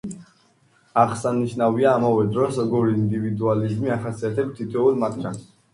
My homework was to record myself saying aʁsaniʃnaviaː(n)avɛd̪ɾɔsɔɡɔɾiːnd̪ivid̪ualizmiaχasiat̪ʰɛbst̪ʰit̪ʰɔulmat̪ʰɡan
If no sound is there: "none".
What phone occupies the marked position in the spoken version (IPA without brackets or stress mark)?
m